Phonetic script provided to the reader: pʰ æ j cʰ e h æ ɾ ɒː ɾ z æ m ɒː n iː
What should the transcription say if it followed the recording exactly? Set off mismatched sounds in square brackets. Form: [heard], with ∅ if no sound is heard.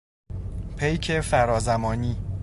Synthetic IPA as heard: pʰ [e] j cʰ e [f] æ ɾ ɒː [∅] z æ m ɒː n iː